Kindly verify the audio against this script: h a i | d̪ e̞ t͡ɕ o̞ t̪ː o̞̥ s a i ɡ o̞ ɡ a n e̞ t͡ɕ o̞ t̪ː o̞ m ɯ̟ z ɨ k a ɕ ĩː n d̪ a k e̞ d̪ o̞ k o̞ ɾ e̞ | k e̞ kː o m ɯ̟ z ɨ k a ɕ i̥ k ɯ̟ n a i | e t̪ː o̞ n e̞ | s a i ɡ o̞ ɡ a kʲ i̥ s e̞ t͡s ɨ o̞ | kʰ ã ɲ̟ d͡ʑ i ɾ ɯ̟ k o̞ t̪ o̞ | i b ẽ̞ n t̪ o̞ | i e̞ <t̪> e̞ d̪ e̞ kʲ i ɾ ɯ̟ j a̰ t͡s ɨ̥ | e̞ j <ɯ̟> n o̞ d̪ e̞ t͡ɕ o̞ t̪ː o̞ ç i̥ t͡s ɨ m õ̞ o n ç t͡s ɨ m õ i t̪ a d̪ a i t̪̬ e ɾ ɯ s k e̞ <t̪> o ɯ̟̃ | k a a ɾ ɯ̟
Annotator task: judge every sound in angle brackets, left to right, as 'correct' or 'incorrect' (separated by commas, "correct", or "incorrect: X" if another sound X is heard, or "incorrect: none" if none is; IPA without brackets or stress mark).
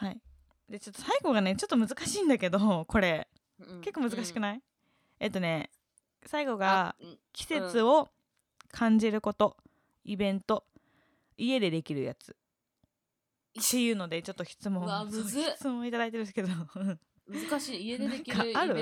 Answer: incorrect: d̪, incorrect: ɯ̟ː, incorrect: d̪